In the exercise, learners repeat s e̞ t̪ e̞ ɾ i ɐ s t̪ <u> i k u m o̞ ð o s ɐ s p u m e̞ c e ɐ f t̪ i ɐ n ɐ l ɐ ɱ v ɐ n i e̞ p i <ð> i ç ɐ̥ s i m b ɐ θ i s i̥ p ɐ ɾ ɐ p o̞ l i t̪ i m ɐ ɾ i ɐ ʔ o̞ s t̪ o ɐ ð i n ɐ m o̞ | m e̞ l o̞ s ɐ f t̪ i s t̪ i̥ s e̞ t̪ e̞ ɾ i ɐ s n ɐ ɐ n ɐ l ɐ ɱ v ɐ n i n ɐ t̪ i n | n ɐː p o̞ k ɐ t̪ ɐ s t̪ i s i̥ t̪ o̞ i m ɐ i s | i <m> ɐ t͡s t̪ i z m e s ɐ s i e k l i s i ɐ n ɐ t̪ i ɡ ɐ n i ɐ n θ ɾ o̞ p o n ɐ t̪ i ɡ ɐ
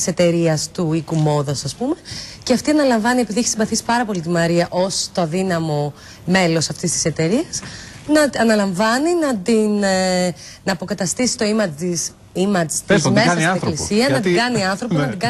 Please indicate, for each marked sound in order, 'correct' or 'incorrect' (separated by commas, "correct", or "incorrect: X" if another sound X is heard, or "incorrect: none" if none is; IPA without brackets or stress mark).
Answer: correct, correct, correct